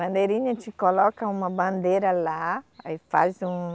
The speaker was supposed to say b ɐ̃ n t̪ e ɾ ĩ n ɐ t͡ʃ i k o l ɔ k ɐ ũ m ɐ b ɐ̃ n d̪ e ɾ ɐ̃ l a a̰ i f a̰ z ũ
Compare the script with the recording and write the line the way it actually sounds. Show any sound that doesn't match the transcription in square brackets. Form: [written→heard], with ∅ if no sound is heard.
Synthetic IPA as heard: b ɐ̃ n [t̪→d̪] e ɾ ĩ [n→ɲ] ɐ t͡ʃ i k o l ɔ k ɐ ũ m ɐ b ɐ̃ n d̪ e ɾ [ɐ̃→ɐ] l a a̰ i f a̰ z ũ